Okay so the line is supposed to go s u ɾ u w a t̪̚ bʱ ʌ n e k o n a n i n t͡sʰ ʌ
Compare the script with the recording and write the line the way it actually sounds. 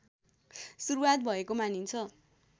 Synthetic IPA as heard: s u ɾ u w a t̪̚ bʱ ʌ e k o m a n i n t͡sʰ ʌ

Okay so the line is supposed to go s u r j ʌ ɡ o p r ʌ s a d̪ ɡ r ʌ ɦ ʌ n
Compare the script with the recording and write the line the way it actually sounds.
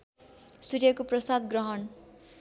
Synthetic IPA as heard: s u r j ʌ k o p r ʌ s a d̪ ɡ r ʌ ɦ ʌ n

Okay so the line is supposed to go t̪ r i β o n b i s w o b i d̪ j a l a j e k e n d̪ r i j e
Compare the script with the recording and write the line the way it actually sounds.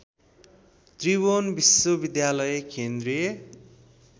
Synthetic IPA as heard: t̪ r i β o n b i s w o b i d̪ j a l ʌ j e k e n d̪ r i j e

